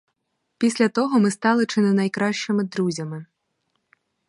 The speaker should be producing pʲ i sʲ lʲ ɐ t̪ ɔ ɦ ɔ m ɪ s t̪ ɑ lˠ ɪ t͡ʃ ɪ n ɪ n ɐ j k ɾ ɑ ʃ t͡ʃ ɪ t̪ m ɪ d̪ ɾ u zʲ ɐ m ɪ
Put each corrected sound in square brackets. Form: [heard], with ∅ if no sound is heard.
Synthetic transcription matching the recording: pʲ i sʲ lʲ ɐ t̪ ɔ ɦ ɔ m ɪ s t̪ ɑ lˠ ɪ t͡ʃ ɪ n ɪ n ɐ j k ɾ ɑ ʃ t͡ʃ ɪ [∅] m ɪ d̪ ɾ u zʲ ɐ m ɪ